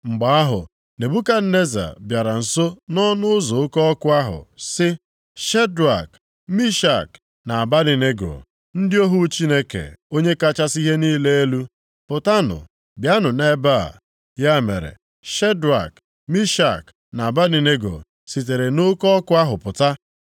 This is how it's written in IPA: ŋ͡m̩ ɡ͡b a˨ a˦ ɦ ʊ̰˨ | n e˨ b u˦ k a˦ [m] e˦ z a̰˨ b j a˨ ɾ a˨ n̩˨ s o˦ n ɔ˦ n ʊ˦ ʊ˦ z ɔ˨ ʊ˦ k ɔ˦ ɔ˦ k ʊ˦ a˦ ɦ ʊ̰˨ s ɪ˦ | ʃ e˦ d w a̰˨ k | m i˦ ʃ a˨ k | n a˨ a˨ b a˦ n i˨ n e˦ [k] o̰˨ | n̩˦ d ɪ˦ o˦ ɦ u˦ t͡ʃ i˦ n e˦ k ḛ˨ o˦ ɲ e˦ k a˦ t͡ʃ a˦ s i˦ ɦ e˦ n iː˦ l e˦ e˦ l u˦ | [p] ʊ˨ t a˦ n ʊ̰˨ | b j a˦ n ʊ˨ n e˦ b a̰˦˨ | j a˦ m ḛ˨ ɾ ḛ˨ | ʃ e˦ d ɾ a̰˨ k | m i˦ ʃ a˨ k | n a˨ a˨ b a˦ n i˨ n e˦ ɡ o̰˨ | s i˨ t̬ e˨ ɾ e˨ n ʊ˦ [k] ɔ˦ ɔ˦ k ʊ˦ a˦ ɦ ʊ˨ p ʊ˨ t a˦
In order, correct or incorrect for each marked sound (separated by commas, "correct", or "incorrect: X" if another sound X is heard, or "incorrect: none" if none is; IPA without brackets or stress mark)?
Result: incorrect: n, incorrect: ɡ, correct, correct